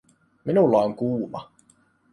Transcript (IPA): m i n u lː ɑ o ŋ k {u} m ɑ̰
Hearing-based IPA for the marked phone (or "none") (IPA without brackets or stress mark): uː